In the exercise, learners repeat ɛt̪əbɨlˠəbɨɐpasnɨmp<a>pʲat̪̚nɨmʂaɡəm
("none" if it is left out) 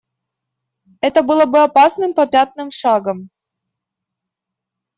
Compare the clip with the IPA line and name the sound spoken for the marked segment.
ɐ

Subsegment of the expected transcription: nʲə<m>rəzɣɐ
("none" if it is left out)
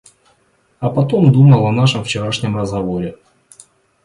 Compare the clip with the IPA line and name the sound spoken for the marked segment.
m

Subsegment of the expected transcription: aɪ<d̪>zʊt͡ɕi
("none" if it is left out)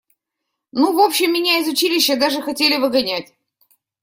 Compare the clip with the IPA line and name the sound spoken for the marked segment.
none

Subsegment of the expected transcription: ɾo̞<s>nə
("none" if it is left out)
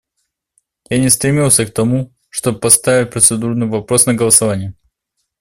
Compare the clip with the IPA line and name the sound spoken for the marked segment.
s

